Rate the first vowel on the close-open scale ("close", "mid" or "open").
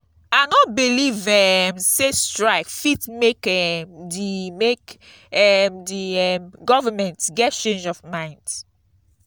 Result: open